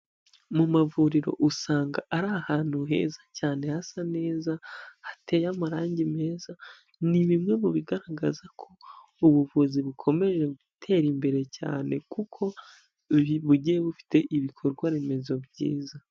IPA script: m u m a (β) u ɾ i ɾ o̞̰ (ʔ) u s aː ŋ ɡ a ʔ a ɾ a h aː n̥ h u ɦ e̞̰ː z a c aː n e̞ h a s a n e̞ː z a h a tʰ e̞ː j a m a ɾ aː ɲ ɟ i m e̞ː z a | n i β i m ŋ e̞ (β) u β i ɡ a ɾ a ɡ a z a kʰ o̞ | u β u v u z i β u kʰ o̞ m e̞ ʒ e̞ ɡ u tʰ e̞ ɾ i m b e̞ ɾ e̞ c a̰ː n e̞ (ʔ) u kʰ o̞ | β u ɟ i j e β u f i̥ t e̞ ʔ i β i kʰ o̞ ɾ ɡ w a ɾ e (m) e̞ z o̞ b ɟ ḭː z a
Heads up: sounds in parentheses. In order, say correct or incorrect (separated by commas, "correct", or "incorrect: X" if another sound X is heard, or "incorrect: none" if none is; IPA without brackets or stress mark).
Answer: incorrect: v, correct, correct, incorrect: k, correct